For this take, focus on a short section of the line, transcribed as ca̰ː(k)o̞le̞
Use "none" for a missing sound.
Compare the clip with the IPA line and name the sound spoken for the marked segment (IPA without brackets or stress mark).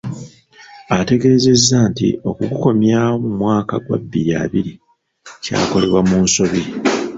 k